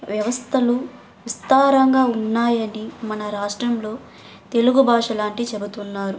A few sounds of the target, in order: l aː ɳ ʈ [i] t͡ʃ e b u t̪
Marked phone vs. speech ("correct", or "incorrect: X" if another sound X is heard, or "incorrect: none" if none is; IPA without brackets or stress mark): correct